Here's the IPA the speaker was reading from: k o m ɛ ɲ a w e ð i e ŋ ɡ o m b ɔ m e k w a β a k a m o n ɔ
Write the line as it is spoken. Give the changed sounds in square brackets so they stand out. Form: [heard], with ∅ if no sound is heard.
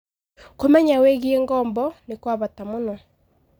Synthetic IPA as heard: k o m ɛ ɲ a w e [ɣ] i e ŋ ɡ [ɔ] m b ɔ [n] e k w a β a [t] a m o n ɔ